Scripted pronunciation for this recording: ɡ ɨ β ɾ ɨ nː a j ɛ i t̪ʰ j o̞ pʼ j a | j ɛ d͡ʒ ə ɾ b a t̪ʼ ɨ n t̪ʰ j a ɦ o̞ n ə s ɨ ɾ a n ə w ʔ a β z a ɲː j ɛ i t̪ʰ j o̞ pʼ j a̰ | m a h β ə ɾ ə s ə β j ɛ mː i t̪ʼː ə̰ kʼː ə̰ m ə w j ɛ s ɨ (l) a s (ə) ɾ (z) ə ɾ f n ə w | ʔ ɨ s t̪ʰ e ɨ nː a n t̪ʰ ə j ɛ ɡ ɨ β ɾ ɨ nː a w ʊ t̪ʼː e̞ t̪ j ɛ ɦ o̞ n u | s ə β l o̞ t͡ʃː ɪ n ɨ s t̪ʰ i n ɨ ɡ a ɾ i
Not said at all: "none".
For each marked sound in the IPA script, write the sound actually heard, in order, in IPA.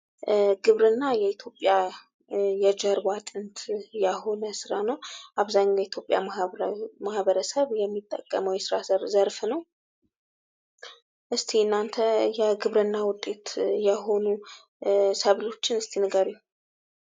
ɾ, ə, z

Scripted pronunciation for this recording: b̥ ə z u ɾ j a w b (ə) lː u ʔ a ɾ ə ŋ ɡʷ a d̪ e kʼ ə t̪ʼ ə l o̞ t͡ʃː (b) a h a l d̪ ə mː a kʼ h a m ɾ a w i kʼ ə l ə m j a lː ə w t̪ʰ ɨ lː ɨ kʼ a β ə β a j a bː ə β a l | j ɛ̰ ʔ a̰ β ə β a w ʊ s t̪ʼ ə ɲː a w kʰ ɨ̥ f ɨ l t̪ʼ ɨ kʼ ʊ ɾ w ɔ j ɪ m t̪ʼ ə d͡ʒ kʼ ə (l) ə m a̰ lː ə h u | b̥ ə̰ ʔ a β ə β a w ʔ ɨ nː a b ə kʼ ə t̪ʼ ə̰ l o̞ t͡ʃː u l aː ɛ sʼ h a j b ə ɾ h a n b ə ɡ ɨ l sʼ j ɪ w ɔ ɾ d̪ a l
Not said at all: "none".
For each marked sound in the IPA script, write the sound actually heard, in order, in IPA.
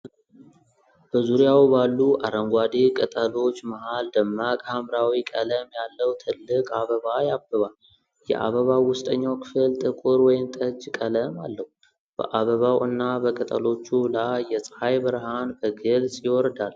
a, m, l

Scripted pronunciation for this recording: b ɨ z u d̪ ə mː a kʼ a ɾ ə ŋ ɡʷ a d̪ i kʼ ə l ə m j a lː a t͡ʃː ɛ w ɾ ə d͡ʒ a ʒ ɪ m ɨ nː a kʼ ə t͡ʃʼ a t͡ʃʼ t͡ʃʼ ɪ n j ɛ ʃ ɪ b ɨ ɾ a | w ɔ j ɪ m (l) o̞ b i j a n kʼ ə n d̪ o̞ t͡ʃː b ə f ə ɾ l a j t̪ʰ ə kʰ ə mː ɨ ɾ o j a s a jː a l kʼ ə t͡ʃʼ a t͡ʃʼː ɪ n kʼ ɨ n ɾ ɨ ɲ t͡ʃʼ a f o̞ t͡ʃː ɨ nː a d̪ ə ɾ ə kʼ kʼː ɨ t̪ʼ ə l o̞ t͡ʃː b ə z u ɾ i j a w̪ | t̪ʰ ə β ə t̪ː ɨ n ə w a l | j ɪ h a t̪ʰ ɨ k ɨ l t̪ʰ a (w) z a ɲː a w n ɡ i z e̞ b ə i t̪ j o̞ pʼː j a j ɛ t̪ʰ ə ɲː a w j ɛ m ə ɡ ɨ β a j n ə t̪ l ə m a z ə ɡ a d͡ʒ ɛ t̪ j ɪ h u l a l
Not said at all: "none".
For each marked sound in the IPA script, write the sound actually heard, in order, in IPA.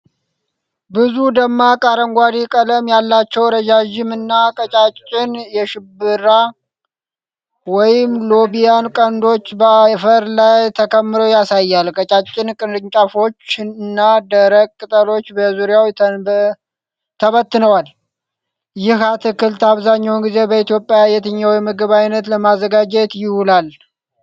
l, β

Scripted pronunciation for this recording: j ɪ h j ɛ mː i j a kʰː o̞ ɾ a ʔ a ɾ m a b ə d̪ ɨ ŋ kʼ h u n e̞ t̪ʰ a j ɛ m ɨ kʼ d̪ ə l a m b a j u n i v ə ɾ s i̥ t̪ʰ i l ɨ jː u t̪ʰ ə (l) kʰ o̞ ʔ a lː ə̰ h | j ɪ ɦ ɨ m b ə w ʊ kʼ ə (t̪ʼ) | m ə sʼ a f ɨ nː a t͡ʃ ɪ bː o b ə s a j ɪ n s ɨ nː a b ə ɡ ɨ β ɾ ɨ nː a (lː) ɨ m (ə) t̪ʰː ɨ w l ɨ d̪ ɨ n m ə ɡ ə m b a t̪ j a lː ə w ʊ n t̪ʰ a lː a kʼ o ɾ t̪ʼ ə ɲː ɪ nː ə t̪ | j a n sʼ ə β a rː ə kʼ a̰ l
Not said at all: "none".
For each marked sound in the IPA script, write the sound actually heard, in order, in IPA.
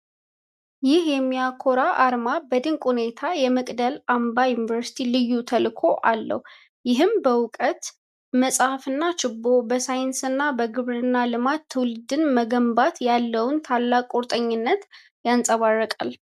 l, t̪, l, a

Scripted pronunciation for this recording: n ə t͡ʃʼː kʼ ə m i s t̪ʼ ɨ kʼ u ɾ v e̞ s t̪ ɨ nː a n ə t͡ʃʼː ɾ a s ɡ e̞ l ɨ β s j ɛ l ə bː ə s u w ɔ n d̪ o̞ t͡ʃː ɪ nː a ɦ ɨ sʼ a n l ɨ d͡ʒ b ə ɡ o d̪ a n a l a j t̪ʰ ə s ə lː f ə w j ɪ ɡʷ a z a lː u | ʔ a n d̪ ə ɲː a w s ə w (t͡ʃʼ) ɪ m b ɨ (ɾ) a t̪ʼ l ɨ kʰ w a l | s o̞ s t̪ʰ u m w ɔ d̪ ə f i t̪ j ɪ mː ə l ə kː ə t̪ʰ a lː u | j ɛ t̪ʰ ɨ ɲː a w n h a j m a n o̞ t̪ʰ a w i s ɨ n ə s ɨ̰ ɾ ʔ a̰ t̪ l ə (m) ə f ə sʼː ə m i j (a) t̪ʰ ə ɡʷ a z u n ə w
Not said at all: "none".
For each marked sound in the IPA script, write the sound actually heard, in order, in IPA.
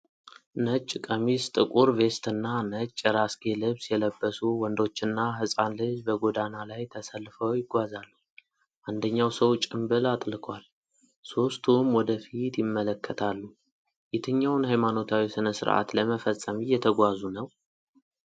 t͡ʃʼ, l, m, ɛ

